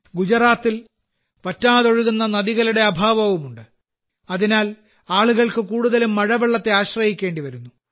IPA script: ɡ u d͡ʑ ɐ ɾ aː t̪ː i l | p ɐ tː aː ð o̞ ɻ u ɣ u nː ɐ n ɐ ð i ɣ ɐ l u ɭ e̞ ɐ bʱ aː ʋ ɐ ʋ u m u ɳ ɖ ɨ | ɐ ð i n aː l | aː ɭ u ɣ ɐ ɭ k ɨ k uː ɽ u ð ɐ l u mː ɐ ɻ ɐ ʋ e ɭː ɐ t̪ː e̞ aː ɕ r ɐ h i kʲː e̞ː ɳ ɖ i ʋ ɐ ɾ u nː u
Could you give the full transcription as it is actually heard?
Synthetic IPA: ɡ u d͡ʑ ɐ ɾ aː t̪ː i l | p ɐ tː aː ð o̞ ɻ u ɣ u nː ɐ n ɐ ð i ɣ ɐ l u ɽ e̞ ɐ bʱ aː ʋ ɐ ʋ u m u ɳ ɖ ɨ | ɐ ð i n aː l | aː ɭ u ɣ ɐ ɭ k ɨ k uː ɽ u ð ɐ l u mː ɐ ɻ ɐ ʋ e ɭː ɐ t̪ː e̞ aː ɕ r ɐ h i kʲː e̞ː ɳ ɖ i ʋ ɐ ɾ u nː u